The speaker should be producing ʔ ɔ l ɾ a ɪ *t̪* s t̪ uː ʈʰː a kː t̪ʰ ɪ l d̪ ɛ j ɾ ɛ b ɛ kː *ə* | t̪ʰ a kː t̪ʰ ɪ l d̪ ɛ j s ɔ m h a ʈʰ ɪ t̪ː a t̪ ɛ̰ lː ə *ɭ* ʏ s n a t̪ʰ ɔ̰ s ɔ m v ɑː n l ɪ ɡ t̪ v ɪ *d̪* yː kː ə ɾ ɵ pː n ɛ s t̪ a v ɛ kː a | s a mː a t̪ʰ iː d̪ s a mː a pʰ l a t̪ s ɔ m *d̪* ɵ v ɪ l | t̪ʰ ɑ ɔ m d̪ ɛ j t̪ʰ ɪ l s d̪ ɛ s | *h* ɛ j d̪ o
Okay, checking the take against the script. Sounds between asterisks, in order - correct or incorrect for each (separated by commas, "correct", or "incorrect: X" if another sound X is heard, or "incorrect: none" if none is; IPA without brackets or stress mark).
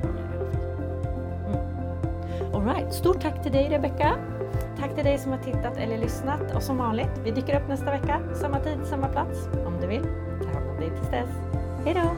correct, incorrect: a, correct, correct, correct, correct